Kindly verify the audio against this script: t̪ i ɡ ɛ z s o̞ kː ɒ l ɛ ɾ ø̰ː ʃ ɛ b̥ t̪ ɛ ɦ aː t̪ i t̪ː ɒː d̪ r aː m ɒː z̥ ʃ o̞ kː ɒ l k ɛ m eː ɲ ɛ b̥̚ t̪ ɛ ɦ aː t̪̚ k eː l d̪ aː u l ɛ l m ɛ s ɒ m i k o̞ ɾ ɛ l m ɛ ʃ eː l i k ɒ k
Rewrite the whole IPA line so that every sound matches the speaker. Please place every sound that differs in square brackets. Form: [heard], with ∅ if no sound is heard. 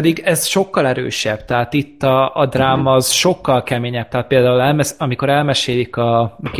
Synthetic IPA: [d̪] i ɡ ɛ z [ʃ] o̞ kː ɒ l ɛ ɾ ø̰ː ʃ ɛ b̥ t̪ ɛ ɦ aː t̪ i t̪ː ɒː d̪ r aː m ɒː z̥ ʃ o̞ kː ɒ l k ɛ m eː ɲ ɛ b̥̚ t̪ ɛ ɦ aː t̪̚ [p] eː l d̪ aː u l ɛ l m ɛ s ɒ m i k o̞ ɾ ɛ l m ɛ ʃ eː l i k ɒ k